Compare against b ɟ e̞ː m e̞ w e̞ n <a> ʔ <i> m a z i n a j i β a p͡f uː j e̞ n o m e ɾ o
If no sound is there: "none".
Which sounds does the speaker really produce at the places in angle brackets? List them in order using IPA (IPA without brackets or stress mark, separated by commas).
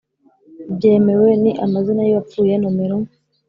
i, a